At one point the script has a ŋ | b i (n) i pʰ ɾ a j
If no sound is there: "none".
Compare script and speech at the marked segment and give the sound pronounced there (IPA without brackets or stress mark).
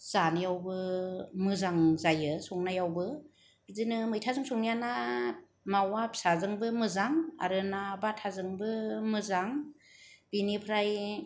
n